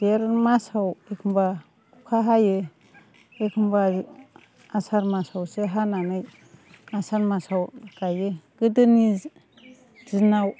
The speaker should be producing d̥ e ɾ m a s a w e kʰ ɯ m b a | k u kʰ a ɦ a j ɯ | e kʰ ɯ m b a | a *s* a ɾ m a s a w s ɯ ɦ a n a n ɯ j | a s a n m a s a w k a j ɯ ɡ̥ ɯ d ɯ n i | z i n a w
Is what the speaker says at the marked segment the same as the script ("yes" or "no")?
yes